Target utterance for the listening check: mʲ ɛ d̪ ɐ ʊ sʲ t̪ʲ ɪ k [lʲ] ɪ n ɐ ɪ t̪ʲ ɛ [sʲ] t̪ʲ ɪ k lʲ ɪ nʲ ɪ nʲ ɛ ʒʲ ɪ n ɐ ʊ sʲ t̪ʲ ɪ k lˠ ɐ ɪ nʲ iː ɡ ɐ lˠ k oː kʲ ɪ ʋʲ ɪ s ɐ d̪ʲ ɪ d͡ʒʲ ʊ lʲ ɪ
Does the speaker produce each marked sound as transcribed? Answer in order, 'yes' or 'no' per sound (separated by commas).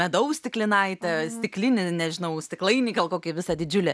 yes, yes